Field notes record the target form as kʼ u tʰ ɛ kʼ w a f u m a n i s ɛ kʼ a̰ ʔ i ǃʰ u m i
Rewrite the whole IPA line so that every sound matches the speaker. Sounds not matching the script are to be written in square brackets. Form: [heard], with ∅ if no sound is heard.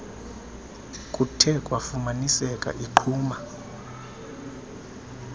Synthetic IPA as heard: kʼ u tʰ ɛ kʼ w a f u m a n i s ɛ kʼ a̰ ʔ i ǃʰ [uː] m [a]